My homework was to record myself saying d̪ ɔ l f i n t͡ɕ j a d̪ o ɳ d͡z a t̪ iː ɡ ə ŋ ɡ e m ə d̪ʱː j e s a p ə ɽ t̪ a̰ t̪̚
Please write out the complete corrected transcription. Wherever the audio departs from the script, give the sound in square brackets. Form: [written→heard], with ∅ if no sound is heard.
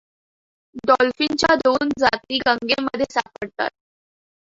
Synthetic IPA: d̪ ɔ l f i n t͡ɕ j a d̪ o [ɳ→n] d͡z a t̪ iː ɡ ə ŋ ɡ e m ə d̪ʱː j e s a p ə ɽ t̪ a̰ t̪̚